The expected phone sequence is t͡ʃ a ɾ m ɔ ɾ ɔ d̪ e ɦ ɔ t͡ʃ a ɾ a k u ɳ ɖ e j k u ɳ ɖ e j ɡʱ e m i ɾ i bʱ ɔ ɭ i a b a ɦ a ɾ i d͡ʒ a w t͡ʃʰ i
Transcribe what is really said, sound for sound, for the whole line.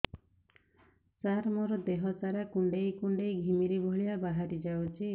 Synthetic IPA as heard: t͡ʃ a ɾ m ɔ ɾ ɔ d̪ e ɦ ɔ t͡ʃ a ɾ a k u ɳ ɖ e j k u ɳ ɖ e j ɡʱ i m i ɾ i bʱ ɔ ɭ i a b a ɦ a ɾ i d͡ʒ a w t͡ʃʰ i